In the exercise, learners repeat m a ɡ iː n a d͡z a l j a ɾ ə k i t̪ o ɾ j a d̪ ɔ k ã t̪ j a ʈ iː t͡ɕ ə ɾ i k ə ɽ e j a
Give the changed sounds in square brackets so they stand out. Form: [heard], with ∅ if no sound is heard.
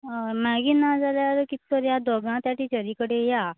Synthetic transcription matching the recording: m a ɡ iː n a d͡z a l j a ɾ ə k i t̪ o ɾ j a d̪ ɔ [ɡ] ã t̪ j a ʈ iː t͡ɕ ə ɾ i k ə ɽ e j a